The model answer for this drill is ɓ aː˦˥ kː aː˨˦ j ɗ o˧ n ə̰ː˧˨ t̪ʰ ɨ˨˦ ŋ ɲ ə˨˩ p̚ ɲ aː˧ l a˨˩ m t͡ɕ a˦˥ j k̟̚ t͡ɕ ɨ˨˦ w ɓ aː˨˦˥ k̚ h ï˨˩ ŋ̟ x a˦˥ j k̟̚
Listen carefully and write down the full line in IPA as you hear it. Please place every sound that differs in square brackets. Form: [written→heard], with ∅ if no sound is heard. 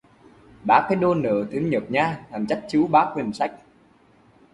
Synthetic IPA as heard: ɓ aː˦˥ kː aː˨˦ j ɗ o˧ n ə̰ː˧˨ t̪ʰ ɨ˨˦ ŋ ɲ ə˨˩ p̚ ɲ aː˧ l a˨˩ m t͡ɕ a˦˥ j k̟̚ t͡ɕ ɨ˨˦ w ɓ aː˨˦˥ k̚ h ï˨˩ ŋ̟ [x→s] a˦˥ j k̟̚

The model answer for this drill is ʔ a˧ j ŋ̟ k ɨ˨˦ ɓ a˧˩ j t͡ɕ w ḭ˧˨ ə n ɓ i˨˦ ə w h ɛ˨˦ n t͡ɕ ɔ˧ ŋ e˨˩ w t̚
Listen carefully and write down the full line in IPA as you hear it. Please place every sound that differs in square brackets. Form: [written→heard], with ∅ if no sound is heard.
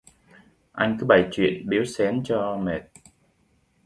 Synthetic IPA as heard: ʔ a˧ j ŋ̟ k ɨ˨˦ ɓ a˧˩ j t͡ɕ w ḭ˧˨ ə n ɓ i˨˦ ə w [h→s] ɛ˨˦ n t͡ɕ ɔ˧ [ŋ→m] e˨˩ [w→∅] t̚

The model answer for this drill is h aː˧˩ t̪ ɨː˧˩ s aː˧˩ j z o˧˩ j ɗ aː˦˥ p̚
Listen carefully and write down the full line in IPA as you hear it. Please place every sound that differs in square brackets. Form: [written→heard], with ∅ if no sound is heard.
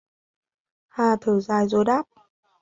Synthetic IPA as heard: h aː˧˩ [t̪→t̪ʰ] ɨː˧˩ [s→z] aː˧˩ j z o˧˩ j ɗ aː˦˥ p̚

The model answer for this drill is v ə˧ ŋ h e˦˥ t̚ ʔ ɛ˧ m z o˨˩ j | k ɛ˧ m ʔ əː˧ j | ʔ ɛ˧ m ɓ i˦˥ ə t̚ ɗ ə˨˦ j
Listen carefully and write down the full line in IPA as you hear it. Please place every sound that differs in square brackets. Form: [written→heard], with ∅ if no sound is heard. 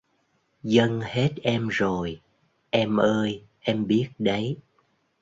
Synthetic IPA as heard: [v→z] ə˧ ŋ h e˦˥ t̚ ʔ ɛ˧ m z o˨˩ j | [k→ʔ] ɛ˧ m ʔ əː˧ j | ʔ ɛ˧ m ɓ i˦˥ ə t̚ ɗ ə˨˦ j

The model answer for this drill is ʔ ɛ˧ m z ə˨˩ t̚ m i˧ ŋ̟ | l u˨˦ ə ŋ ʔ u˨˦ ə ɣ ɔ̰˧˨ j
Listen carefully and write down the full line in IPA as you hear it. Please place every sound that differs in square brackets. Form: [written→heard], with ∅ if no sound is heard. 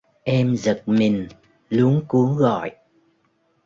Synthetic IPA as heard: ʔ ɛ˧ m z ə˨˩ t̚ m [i˧→i˨˩] ŋ̟ | l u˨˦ ə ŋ [ʔ→k] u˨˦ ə ɣ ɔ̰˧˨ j

